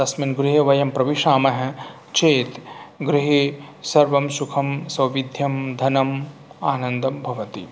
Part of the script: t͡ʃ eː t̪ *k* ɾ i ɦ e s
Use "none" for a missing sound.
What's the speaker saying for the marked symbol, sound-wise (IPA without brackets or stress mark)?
ɡ